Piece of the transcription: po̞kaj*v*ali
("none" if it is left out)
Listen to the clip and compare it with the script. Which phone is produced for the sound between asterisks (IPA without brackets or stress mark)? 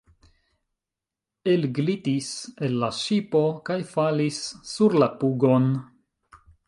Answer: f